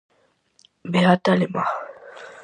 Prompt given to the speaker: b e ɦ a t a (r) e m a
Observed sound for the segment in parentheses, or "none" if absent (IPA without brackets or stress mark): l